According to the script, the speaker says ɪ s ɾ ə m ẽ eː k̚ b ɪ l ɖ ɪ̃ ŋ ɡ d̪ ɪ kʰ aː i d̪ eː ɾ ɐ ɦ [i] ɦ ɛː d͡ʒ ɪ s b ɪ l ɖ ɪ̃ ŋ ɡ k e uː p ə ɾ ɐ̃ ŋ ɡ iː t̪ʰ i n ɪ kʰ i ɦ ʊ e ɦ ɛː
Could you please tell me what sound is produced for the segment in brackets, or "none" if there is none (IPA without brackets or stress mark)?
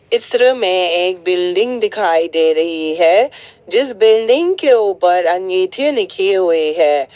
i